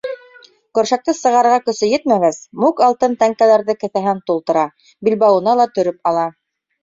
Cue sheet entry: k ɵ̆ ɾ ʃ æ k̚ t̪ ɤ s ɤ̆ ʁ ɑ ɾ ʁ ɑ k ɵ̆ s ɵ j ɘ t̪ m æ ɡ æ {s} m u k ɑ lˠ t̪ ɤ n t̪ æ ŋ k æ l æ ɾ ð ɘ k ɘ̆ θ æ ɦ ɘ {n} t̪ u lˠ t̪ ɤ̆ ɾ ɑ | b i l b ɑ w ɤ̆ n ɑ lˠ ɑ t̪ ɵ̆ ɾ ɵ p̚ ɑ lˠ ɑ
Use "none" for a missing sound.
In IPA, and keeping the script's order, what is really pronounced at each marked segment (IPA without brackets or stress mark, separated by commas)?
s, n